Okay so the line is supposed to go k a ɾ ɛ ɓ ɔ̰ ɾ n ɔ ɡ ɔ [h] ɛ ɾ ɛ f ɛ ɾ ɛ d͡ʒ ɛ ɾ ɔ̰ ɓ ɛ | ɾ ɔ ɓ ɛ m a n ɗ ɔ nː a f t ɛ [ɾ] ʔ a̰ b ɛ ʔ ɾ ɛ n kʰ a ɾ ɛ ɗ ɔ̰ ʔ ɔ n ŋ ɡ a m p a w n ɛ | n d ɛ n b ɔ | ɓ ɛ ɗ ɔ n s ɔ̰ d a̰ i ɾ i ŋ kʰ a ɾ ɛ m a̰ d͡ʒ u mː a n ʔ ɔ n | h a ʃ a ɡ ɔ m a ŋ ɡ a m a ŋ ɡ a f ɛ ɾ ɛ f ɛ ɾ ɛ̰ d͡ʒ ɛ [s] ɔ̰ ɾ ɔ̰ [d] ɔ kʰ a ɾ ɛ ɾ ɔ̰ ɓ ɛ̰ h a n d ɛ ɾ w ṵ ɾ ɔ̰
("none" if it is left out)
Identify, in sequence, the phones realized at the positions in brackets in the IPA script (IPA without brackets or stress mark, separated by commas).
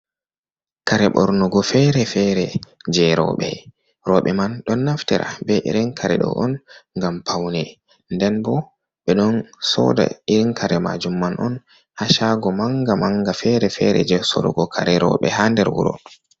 f, ɾ, s, ɡ